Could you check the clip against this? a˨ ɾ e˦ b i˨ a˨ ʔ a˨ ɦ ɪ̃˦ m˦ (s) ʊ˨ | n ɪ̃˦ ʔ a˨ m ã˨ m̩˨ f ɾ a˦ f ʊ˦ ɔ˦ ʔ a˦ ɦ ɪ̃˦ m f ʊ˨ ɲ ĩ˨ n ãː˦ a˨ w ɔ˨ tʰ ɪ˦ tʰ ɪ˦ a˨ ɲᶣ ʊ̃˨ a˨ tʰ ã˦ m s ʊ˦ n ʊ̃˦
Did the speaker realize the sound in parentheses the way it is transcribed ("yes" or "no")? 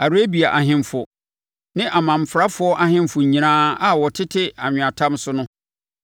no